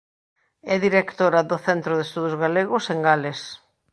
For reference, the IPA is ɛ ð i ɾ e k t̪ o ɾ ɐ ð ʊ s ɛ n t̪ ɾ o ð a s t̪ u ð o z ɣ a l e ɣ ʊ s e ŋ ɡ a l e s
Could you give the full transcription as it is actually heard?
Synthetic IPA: ɛ ð i ɾ e k t̪ o ɾ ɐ ð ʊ θ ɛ n t̪ ɾ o ð e s t̪ u ð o z ɣ a l e ɣ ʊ s e ŋ ɡ a l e s